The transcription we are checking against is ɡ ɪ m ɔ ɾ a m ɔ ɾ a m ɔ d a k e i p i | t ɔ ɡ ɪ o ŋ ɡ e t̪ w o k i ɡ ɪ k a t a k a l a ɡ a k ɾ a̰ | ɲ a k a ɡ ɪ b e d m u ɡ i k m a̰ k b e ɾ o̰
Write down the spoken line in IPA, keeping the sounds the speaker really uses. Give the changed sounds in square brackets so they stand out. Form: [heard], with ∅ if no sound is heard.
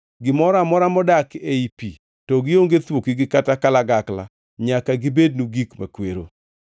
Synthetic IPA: ɡ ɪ m ɔ ɾ a m ɔ ɾ a m ɔ d a k e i p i | t ɔ ɡ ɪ o ŋ ɡ e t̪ w o k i ɡ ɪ k a t a k a l a ɡ a k [l] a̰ | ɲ a k a ɡ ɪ b e d [n] u ɡ i k m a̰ k [w] e ɾ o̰

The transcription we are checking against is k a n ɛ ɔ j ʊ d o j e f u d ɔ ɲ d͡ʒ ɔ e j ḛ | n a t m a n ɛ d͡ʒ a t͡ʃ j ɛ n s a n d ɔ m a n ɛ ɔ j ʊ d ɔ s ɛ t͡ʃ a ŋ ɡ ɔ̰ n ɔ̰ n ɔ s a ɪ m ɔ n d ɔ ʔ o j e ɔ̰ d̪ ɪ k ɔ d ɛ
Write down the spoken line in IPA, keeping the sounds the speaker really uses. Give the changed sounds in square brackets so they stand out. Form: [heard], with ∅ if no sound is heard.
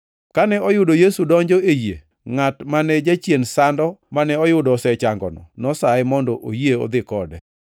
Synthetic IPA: k a n ɛ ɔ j ʊ d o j e [s] u d ɔ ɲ d͡ʒ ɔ e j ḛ | [ŋ] a t m a n ɛ d͡ʒ a t͡ʃ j [e] n s a n d ɔ m a n ɛ ɔ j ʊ d ɔ s ɛ t͡ʃ a ŋ ɡ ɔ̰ n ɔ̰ n ɔ s a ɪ m ɔ n d ɔ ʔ o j e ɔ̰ d̪ ɪ k ɔ d ɛ

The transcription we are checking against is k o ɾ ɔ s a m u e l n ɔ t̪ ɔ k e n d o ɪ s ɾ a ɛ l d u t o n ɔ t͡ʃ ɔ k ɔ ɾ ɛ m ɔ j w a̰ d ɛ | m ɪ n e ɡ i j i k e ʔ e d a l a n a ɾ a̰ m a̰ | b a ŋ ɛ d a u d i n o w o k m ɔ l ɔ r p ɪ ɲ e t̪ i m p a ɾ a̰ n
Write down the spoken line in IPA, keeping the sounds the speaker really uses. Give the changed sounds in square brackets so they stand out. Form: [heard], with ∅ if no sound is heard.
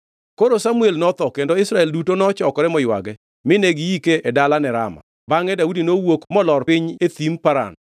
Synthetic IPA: k o ɾ [o] s a m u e l n ɔ t̪ ɔ k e n d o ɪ s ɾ a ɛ l d u t o n ɔ t͡ʃ ɔ k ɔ ɾ ɛ m ɔ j w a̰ [ɡ] ɛ | m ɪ n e ɡ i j i k e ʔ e d a l a n [ɛ] ɾ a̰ m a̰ | b a ŋ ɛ d a u d i n o w o k m ɔ l ɔ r p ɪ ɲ e t̪ i m p a ɾ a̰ n

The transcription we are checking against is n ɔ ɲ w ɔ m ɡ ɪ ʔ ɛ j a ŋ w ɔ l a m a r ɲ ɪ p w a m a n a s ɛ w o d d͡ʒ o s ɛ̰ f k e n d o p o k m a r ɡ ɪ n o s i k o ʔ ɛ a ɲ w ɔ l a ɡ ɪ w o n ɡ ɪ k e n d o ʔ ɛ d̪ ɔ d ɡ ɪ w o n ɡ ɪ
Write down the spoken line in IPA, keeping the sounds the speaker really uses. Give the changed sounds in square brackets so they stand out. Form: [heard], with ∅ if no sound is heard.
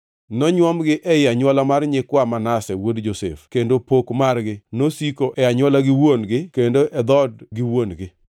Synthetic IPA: n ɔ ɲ w ɔ m ɡ ɪ ʔ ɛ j a [ɲ] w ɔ l a m a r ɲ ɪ [k] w a m a n a s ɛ w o d d͡ʒ o s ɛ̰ f k e n d o p o k m a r ɡ ɪ n o s i k o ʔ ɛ a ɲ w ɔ l a ɡ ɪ w o n ɡ ɪ k e n d o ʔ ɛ d̪ ɔ d ɡ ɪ w o n ɡ ɪ

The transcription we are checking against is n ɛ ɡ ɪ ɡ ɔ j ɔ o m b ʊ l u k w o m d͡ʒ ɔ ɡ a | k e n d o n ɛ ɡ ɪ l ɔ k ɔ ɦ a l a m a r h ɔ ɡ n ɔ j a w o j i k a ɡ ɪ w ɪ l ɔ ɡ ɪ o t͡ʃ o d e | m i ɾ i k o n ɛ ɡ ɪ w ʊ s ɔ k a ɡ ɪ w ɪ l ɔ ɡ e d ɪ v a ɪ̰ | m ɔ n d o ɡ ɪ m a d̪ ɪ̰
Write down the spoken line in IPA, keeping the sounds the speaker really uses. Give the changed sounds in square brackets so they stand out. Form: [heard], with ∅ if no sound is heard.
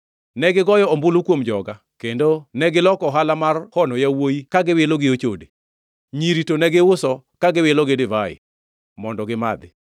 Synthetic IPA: n ɛ ɡ ɪ ɡ ɔ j ɔ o m b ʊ l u k w o m d͡ʒ ɔ ɡ a | k e n d o n ɛ ɡ ɪ l ɔ k ɔ ɦ a l a m a r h ɔ [∅] n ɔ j a w o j i k a ɡ ɪ w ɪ l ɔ ɡ ɪ o t͡ʃ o d e | [ɲ] i ɾ i [t] o n ɛ ɡ ɪ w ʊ s ɔ k a ɡ ɪ w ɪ l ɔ ɡ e d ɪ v a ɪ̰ | m ɔ n d [ɔ] ɡ ɪ m a d̪ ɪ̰

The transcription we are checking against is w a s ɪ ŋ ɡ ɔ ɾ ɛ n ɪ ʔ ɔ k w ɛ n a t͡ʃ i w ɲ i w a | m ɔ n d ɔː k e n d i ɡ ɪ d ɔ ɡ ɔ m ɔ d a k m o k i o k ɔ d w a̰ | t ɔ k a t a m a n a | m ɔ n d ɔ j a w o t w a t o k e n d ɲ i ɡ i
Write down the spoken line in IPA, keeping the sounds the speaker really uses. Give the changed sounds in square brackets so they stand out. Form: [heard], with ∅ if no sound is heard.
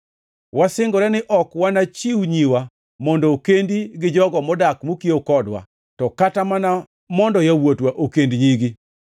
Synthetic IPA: w a s ɪ ŋ ɡ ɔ ɾ ɛ n ɪ ʔ ɔ k w [a] n a t͡ʃ i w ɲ i w a | m ɔ n d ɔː k e n d i ɡ ɪ [d͡ʒ] ɔ ɡ ɔ m ɔ d a k m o k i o k ɔ d w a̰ | t ɔ k a t a m a n a | m ɔ n d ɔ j a w o t w a [ʔ] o k e n d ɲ i ɡ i

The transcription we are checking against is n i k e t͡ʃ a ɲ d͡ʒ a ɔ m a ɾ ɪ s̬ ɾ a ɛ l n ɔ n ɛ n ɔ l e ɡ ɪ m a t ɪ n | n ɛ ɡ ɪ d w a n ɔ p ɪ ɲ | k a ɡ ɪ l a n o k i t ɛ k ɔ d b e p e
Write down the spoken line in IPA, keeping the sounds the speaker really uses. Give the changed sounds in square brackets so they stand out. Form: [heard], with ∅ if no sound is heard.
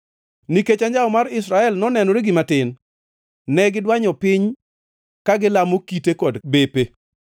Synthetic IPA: n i k e t͡ʃ a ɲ d͡ʒ a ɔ m a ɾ ɪ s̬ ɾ a ɛ l n ɔ n ɛ n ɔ [ɾ] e ɡ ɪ m a t ɪ n | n ɛ ɡ ɪ d w a [ɲ] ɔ p ɪ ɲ | k a ɡ ɪ l a [m] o k i t [e] k ɔ d b e p e

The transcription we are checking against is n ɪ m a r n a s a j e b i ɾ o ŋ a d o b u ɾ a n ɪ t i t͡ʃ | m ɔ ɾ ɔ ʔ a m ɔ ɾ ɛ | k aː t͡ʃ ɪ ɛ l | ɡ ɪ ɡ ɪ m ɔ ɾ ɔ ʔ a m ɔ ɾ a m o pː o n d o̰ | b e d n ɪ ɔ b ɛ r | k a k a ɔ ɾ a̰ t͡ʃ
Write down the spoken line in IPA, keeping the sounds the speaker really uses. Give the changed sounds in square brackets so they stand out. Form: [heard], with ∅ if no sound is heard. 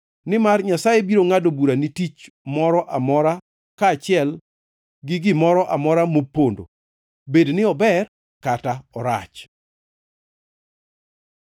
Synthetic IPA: n ɪ m a r [ɲ] a s a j e b i ɾ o ŋ a d o b u ɾ a n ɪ t i t͡ʃ | m ɔ ɾ ɔ ʔ a m ɔ ɾ [a] | k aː t͡ʃ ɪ ɛ l | ɡ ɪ ɡ ɪ m ɔ ɾ ɔ ʔ a m ɔ ɾ a m o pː o n d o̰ | b e d n ɪ ɔ b ɛ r | k a [t] a ɔ ɾ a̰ t͡ʃ

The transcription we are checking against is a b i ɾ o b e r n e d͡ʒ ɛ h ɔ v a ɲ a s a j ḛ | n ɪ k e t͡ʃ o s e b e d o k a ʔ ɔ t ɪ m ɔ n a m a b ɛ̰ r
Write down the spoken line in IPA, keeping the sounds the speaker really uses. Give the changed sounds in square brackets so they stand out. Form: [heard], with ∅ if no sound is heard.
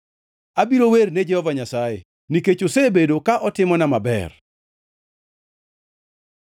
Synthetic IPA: a b i ɾ o [w] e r n e d͡ʒ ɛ h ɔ v a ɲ a s a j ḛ | n [i] k e t͡ʃ o s e b e d o k a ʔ ɔ t ɪ m ɔ n a m a b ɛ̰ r

